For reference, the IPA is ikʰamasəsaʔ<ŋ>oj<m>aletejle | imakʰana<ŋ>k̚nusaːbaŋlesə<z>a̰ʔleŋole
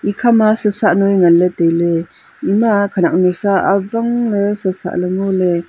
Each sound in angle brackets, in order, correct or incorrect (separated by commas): incorrect, incorrect, incorrect, incorrect